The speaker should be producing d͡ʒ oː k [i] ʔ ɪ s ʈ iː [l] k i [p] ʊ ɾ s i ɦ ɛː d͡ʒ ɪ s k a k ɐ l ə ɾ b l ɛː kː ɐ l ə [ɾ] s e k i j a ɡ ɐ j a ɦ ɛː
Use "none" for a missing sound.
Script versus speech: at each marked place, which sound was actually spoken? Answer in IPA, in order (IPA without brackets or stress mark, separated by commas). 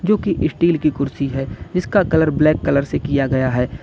i, l, k, ɾ